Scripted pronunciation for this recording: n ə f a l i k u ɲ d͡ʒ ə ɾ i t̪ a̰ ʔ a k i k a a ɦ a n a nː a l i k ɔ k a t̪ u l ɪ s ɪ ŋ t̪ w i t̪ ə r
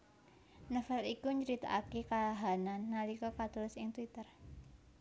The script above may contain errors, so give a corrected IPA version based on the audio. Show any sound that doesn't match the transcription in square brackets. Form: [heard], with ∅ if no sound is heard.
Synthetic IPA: n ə f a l i k u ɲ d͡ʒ ə ɾ i t̪ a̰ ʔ a k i k a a ɦ a n a nː a l i k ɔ k a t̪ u l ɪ s ɪ ŋ t̪ w i t̪ ə r